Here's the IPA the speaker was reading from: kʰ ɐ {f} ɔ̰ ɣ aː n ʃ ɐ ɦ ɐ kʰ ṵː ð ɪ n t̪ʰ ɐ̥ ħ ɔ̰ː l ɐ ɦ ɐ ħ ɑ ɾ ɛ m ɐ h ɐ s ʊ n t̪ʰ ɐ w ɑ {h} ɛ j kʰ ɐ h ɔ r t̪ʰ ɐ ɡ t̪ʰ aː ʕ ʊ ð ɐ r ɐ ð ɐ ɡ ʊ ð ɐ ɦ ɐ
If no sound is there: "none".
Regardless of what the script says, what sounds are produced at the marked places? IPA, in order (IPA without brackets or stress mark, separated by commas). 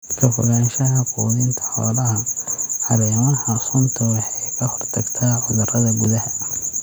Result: f, ħ